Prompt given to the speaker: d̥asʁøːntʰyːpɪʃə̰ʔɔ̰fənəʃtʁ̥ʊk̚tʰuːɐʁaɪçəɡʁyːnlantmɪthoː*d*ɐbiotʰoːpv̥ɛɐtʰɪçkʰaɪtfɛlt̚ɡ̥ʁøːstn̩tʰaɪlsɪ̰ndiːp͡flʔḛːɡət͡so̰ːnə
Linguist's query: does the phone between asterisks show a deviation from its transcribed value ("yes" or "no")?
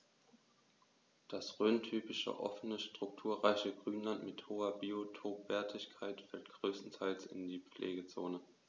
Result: yes